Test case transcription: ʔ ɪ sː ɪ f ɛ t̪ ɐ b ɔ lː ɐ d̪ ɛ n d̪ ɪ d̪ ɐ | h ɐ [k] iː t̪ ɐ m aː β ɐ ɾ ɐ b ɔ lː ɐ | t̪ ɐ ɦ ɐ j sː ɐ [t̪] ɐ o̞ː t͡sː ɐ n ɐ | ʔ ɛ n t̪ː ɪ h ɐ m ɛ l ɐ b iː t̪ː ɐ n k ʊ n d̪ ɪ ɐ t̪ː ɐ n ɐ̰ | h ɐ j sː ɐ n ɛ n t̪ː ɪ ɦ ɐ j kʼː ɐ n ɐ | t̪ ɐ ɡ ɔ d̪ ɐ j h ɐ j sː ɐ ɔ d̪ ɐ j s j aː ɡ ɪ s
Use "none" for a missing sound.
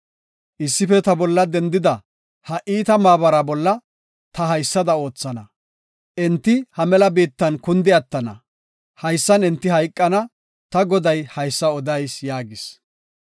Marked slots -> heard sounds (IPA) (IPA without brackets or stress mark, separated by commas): ʔ, d̪